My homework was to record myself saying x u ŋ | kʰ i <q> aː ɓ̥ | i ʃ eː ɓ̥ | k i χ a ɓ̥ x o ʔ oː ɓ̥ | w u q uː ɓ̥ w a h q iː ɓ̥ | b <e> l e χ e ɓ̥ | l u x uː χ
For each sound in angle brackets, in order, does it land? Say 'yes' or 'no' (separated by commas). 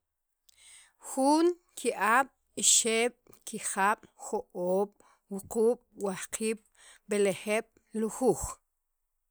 no, yes